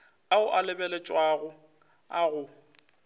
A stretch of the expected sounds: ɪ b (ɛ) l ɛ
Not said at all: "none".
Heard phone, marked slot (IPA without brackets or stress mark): ɛ